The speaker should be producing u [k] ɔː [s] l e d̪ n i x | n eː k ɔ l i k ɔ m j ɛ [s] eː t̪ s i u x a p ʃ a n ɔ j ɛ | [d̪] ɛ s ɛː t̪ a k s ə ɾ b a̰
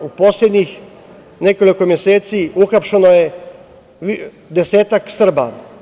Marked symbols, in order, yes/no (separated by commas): no, yes, yes, yes